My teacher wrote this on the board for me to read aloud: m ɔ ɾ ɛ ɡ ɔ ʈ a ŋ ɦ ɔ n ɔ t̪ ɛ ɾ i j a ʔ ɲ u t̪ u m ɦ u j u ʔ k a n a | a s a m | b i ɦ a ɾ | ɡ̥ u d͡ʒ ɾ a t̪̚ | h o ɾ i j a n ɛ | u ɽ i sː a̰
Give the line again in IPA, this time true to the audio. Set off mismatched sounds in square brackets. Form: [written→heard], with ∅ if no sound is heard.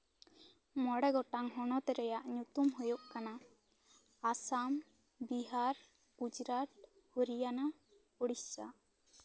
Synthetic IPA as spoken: m ɔ [ɾ→ɽ] ɛ ɡ ɔ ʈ a ŋ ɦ ɔ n ɔ t̪ ɛ ɾ [i→ɛ] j a ʔ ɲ u t̪ u m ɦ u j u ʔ k a n a | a s a m | b i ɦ a ɾ | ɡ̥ u d͡ʒ ɾ a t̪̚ | h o ɾ i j a n [ɛ→a] | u ɽ i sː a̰